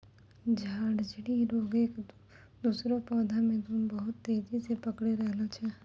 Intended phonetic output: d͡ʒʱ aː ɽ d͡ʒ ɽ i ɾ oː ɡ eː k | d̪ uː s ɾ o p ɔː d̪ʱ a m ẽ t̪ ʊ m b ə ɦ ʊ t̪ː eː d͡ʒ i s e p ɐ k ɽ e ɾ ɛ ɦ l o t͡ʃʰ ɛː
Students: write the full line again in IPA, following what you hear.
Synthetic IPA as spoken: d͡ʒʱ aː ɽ d͡ʒ ɽ i ɾ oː ɡ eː k | d̪ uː s ɾ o p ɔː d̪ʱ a m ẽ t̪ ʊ m b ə ɦ ʊ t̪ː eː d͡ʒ i s e p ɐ k ɽ e ɾ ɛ ɦ l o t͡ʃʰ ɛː